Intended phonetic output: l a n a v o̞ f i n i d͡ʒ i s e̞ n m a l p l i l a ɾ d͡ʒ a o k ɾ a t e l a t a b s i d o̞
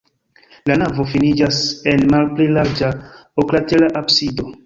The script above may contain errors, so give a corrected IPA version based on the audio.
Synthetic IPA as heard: l a n a v o̞ f i n i d͡ʒ a s e̞ n m a l p l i l a ɾ d͡ʒ a o k l a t e l a ʔ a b s i d o̞